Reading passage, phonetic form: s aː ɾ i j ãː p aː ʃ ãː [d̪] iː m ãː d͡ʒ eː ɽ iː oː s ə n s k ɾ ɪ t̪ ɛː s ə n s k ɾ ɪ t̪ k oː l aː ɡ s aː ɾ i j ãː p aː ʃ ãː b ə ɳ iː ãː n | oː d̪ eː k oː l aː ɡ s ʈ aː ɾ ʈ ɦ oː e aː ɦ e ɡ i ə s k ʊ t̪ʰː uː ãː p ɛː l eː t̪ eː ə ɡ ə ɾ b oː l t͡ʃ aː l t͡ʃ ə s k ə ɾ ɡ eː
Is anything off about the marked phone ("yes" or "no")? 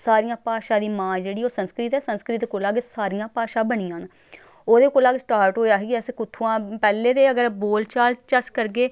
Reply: no